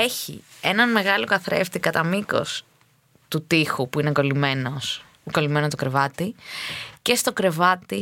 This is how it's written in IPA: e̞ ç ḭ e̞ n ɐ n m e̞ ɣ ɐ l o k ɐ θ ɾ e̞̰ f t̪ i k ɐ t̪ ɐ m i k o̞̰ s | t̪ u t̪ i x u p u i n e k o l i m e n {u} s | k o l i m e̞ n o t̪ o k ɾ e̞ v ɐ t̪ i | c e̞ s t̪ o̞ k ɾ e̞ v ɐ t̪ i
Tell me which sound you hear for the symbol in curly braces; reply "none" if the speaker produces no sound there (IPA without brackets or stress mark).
o